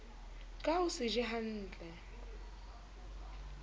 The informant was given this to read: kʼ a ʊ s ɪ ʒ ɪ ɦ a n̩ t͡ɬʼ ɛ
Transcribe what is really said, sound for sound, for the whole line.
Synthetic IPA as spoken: kʼ a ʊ s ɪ ʒ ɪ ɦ a n̩ː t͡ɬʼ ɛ